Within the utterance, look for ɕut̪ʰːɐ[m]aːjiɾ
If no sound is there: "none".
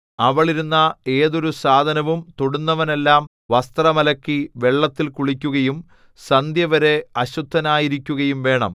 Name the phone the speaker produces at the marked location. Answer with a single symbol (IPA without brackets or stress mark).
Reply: n